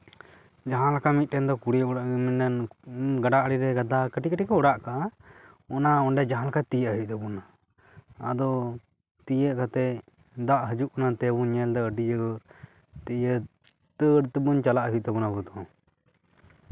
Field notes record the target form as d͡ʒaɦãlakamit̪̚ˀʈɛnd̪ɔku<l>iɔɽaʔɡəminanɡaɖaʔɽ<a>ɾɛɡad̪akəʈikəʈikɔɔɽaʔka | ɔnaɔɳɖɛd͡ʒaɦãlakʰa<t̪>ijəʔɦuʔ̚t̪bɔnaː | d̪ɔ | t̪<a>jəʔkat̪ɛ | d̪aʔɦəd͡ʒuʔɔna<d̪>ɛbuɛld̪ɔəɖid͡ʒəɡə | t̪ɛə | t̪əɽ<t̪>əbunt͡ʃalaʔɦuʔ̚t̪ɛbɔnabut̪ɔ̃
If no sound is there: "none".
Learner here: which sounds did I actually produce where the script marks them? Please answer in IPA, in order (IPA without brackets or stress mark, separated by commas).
ɽ, i, t̪, i, t̪, t̪